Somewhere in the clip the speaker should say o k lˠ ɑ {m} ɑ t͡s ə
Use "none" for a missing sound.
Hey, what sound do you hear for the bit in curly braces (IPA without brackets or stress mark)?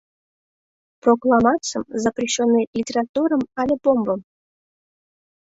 m